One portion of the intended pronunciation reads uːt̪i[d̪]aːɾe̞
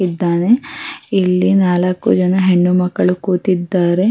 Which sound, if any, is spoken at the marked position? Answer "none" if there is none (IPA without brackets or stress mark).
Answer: d̪ː